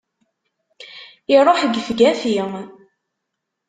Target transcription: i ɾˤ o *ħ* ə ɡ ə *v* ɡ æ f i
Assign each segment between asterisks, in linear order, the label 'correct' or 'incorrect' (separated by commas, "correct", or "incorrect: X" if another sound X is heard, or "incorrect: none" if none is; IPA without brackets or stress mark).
correct, incorrect: f